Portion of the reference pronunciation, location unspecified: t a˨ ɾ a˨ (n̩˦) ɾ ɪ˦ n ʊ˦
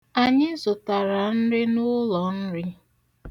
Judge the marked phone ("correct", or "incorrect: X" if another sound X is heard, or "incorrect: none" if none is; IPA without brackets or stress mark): correct